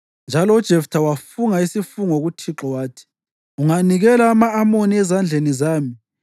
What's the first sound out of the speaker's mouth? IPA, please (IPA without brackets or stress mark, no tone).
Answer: n